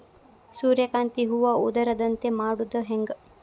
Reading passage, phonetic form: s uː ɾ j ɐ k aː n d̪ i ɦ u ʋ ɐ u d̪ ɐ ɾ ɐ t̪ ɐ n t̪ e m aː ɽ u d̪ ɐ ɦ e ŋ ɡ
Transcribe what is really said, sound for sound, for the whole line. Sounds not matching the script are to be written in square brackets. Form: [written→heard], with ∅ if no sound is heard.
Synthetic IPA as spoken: s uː ɾ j ɐ k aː n [d̪→t̪] i ɦ u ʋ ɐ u d̪ ɐ ɾ ɐ [t̪→d̪] ɐ n t̪ e m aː ɽ u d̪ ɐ ɦ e ŋ ɡ